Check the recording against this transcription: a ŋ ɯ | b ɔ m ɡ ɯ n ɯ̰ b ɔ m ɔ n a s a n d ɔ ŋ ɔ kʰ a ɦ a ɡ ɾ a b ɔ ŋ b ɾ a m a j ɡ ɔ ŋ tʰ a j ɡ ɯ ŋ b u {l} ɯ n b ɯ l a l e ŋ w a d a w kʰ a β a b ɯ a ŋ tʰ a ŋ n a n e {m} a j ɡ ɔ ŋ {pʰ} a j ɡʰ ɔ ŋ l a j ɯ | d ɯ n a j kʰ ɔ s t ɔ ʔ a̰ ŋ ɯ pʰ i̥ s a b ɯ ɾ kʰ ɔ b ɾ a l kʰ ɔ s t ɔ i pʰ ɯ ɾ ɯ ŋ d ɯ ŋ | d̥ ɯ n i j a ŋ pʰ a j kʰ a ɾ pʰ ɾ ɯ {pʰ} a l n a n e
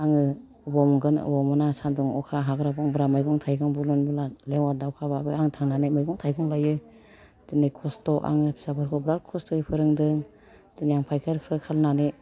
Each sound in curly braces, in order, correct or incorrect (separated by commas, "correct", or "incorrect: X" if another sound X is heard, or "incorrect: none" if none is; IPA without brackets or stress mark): correct, correct, incorrect: tʰ, incorrect: kʰ